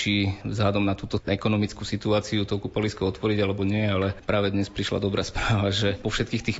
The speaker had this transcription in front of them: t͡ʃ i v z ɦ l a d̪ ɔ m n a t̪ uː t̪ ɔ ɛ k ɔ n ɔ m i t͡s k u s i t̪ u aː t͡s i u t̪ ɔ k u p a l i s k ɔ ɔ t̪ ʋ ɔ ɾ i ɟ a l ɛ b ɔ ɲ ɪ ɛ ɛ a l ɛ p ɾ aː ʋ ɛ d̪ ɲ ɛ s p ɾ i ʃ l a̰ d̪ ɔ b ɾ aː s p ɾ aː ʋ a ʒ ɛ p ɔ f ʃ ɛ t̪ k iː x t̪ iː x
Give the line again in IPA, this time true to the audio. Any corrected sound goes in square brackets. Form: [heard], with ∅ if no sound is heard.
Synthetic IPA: t͡ʃ i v z ɦ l a d̪ ɔ m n a t̪ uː t̪ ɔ ɛ k ɔ n ɔ m i t͡s k u s i t̪ u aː t͡s i u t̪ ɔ k u p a l i s k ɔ ɔ t̪ ʋ ɔ ɾ i ɟ a l ɛ b ɔ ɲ ɪ ɛ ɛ a l ɛ p ɾ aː ʋ ɛ d̪ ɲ ɛ s p ɾ i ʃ l a̰ d̪ ɔ b ɾ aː s p ɾ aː ʋ a ʒ ɛ p ɔ f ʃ ɛ t̪ k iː x t̪ iː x